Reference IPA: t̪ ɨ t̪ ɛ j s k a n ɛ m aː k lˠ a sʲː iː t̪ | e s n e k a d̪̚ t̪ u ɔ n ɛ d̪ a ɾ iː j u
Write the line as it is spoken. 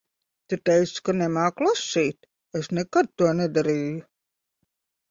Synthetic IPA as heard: t̪ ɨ t̪ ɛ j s k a n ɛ m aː k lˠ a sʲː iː t̪ | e s n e k a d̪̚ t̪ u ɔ n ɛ d̪ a ɾ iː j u

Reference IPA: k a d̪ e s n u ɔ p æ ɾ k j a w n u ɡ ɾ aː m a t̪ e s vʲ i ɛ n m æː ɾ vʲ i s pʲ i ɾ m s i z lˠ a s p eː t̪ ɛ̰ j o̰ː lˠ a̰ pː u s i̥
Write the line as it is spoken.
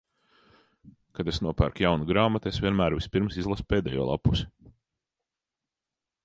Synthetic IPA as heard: k a d̪ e s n u ɔ p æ ɾ k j a w n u ɡ ɾ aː m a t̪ e s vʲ i ɛ n m æː ɾ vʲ i s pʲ i ɾ m s i z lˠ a s p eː d̪ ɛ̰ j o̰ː lˠ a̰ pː u s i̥

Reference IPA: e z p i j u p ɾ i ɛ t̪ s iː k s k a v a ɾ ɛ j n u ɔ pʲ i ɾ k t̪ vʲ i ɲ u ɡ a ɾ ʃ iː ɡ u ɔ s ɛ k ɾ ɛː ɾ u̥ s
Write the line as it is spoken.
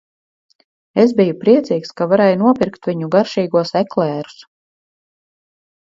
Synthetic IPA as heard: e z b i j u p ɾ i ɛ t̪ s iː k s k a v a ɾ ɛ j n u ɔ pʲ i ɾ k t̪ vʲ i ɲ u ɡ a ɾ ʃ iː ɡ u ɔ s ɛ k l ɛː ɾ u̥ s

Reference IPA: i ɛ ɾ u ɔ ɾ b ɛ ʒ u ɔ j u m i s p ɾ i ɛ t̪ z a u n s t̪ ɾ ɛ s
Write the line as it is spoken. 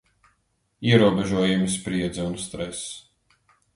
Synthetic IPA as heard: i ɛ ɾ u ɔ b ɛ ʒ u ɔ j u m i s p ɾ i ɛ d̪ z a u n s t̪ ɾ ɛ s

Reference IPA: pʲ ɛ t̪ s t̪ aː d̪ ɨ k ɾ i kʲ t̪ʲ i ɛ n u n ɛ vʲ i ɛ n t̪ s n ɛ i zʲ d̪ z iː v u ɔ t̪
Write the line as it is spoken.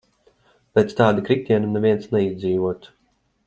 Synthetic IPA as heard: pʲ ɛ t̪ s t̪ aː d̪ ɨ k ɾ i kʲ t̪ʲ i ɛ n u n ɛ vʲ i ɛ n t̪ s n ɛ i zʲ d̪ z iː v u ɔ t̪

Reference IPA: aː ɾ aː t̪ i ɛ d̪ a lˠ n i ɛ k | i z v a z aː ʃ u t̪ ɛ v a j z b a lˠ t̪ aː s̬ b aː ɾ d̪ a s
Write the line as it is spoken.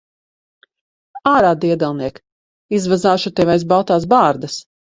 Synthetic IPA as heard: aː ɾ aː d̪ i ɛ d̪ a lˠ n i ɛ k | i z v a z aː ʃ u t̪ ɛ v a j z b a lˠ t̪ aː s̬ b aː ɾ d̪ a s

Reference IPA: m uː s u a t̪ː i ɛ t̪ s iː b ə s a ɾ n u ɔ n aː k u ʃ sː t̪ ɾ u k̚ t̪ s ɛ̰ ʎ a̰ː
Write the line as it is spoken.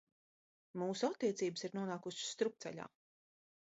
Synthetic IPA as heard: m uː s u a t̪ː i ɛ t̪ s iː b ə s i ɾ n u ɔ n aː k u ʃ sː t̪ ɾ u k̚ t̪ s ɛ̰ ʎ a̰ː

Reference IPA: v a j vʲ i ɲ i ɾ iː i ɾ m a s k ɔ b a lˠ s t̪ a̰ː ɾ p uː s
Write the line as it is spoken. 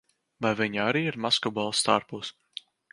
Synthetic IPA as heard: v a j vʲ i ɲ a ɾ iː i ɾ m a s k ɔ b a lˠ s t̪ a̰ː ɾ p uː s

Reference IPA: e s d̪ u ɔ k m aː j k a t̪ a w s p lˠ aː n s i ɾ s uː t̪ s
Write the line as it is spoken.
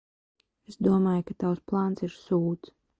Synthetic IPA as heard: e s d̪ u ɔ m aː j k a t̪ a w s p lˠ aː n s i ɾ s uː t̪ s

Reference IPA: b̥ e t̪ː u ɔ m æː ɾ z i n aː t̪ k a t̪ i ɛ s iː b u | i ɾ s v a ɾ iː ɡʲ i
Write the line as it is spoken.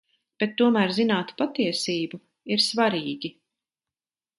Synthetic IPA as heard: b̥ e t̪ː u ɔ m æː ɾ z i n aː t̪ p a t̪ i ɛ s iː b u | i ɾ s v a ɾ iː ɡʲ i

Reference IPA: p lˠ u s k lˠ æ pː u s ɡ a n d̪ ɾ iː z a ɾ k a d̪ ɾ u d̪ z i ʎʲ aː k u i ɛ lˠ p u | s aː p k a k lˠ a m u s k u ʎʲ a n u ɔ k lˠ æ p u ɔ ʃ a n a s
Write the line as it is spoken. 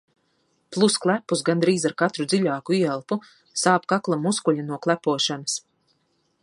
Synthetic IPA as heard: p lˠ u s k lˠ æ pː u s ɡ a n d̪ ɾ iː z a ɾ k a t̪ ɾ u d̪ z i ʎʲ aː k u i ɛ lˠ p u | s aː p k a k lˠ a m u s k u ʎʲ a n u ɔ k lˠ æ p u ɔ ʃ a n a s

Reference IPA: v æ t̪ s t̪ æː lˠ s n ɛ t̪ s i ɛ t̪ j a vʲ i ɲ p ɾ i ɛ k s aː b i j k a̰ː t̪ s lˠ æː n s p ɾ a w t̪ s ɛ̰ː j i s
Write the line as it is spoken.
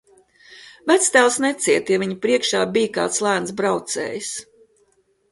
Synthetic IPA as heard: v æ t̪ s t̪ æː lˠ s n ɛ t̪ s i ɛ t̪ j a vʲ i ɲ p ɾ i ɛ k ʃ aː b i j k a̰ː t̪ s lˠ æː n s b ɾ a w t̪ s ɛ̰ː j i s

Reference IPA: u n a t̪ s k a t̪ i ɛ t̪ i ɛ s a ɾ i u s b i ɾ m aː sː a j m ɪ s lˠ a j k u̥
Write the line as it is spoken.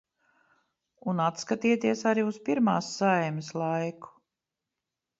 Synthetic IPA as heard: u n a t̪ s k a t̪ i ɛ t̪ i ɛ s a ɾ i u s p i ɾ m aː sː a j m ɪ s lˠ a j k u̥

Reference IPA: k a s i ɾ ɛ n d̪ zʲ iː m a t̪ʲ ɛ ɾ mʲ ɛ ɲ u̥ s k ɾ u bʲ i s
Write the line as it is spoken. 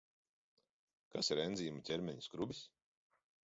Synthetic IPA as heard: k a s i ɾ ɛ n d̪ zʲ iː m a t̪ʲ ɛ ɾ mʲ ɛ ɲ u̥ s k ɾ u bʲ i s

